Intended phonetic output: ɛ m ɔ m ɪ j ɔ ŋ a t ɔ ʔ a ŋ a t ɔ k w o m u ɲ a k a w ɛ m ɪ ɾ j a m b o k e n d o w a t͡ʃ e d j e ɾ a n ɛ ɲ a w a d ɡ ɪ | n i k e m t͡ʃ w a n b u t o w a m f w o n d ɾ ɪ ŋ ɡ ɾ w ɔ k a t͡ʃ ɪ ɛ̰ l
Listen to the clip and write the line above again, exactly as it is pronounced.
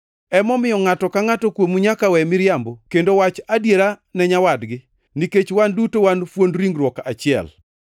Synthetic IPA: ɛ m ɔ m ɪ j ɔ ŋ a t ɔ k a ŋ a t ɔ k w o m u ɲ a k a w ɛ m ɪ ɾ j a m b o k e n d o w a t͡ʃ a d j e ɾ a n ɛ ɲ a w a d ɡ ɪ | n i k e t͡ʃ w a n d u t o w a n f w o n d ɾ i ŋ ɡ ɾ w ɔ k a t͡ʃ ɪ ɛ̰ l